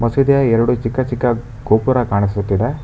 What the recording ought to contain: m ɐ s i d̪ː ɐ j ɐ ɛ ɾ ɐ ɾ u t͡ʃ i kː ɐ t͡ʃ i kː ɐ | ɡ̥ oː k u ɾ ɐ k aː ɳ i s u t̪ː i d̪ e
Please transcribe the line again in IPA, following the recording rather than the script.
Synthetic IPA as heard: m ɐ s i d̪ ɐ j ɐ ɛ ɾ ɐ ɽ u t͡ʃ i kː ɐ t͡ʃ i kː ɐ | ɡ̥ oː p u ɾ ɐ k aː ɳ i s u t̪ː i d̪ e

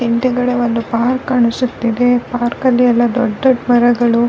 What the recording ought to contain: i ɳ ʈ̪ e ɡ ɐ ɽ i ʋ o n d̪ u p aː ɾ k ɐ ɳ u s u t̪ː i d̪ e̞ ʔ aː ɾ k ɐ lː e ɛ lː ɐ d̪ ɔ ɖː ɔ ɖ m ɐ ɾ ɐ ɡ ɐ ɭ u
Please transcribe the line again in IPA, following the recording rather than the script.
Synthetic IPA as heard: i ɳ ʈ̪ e ɡ ɐ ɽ e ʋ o n d̪ u p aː ɾ k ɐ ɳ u s u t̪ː i d̪ e̞ p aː ɾ k ɐ lː i ɛ lː ɐ d̪ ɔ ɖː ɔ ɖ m ɐ ɾ ɐ ɡ ɐ ɭ u

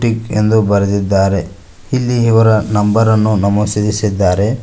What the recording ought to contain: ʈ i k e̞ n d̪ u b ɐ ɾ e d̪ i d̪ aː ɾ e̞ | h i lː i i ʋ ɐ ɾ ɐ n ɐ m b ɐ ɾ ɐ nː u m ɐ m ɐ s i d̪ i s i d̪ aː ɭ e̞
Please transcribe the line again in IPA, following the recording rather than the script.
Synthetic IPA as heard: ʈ i k e̞ n d̪ u b ɐ ɾ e d̪ i d̪ː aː ɾ e̞ | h i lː i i ʋ ɐ ɾ ɐ n ɐ m b ɐ ɾ ɐ nː u n ɐ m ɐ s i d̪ i s i d̪ː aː ɾ e̞

